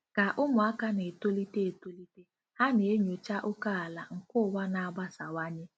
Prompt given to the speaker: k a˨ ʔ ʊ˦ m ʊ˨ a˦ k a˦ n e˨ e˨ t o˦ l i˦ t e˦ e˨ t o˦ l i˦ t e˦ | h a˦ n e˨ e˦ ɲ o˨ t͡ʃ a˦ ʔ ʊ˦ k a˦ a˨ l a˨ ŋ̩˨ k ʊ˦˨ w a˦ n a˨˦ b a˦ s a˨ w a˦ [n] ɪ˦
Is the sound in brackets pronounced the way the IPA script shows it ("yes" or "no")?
no